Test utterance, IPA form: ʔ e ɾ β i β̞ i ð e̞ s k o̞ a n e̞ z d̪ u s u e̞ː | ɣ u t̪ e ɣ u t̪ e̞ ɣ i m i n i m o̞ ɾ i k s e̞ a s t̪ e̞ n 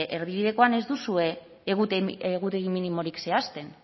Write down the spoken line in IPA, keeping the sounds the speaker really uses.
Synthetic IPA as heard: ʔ e ɾ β i β̞ i ð e̞ k o̞ a n e̞ z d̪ u s u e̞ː | ɣ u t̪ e ɣ u t̪ e̞ ɣ i m i n i m o̞ ɾ i k s e̞ a s t̪ e̞ n